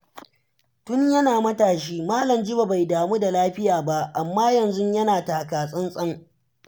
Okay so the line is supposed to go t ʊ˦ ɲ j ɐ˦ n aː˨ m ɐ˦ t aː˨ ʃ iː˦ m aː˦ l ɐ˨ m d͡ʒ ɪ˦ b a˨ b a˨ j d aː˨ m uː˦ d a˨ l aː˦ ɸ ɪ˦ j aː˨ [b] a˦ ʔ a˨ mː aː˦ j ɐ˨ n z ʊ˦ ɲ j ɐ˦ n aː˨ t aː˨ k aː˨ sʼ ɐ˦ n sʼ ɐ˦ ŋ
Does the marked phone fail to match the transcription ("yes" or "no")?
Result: no